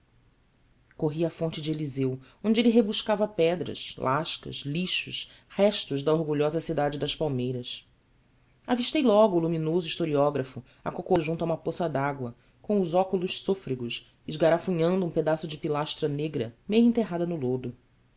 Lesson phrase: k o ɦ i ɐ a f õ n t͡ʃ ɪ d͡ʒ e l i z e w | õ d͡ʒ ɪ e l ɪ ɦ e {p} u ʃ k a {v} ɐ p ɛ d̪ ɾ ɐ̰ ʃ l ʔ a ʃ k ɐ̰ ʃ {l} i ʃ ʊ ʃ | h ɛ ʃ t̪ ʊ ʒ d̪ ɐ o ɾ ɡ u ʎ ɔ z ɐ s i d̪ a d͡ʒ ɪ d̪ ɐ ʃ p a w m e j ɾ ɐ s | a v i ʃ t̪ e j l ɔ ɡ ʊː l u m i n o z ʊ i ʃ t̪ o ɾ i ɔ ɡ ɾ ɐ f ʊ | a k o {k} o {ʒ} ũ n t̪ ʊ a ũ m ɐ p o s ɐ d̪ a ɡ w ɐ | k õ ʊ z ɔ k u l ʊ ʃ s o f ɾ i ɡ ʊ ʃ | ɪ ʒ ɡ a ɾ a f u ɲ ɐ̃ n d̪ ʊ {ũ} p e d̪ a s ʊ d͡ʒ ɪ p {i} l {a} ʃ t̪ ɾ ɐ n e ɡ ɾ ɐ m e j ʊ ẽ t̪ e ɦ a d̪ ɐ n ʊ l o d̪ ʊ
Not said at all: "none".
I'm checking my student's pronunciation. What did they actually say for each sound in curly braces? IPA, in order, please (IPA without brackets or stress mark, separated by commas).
b, v, l, k, ʒ, ũ, i, a